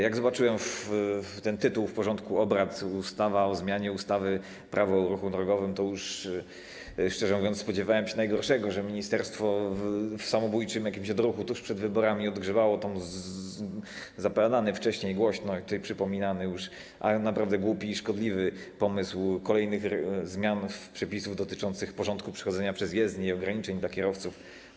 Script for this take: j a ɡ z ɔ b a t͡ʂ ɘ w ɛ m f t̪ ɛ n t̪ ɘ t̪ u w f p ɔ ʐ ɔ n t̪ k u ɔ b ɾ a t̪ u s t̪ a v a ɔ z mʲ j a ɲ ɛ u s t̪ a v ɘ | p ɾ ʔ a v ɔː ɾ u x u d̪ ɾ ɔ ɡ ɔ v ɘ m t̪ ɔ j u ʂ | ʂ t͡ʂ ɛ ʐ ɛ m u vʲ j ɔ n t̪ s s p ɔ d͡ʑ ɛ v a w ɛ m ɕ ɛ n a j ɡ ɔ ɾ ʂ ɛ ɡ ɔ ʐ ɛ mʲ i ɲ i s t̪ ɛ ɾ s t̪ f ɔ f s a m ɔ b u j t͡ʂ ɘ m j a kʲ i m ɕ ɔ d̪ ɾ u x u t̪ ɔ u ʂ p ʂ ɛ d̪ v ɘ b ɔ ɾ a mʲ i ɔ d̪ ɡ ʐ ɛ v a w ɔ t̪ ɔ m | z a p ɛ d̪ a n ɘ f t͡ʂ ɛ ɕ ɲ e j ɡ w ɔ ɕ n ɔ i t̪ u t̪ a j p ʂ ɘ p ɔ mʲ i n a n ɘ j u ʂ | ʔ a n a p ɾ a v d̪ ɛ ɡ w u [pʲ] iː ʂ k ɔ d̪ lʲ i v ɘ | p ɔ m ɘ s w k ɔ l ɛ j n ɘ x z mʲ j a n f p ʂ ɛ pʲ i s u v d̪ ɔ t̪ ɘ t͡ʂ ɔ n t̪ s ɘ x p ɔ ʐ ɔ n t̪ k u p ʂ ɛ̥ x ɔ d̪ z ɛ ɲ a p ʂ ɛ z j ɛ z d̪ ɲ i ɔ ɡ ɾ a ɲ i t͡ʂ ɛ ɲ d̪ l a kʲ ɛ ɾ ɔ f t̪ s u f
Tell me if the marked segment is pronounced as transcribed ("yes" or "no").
yes